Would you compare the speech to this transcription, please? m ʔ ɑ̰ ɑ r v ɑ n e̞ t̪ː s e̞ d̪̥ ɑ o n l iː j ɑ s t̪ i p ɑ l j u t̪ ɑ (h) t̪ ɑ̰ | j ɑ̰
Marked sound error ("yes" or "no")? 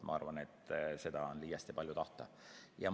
no